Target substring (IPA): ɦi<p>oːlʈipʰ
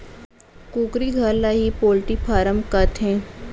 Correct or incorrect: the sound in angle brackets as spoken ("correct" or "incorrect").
correct